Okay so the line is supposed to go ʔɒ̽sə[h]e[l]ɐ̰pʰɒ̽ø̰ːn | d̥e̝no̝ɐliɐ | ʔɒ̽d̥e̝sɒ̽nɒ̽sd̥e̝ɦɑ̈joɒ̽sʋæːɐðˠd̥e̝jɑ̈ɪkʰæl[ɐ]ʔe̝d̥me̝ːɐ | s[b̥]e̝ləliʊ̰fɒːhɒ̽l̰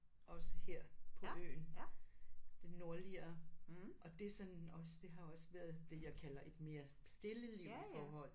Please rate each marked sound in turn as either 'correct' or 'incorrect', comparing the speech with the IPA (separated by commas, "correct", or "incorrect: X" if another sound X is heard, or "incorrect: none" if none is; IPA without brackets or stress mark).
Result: correct, incorrect: none, correct, incorrect: d̥